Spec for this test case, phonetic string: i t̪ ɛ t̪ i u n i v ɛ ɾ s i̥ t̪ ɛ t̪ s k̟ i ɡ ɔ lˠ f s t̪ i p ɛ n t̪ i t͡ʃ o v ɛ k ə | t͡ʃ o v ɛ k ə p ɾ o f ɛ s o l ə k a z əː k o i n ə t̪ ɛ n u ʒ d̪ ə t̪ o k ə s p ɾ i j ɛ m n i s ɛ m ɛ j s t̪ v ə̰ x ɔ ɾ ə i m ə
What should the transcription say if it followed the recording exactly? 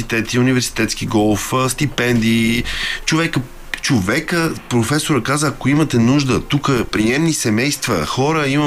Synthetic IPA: i t̪ ɛ t̪ i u n i v ɛ ɾ s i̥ t̪ ɛ t̪ s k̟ i ɡ ɔ lˠ f s t̪ i p ɛ n d̪ i t͡ʃ o v ɛ k ə | t͡ʃ o v ɛ k ə p ɾ o f ɛ s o ɾ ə k a z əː k o i m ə t̪ ɛ n u ʒ d̪ ə t̪ u k ə p ɾ i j ɛ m n i s ɛ m ɛ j s t̪ v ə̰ x ɔ ɾ ə i m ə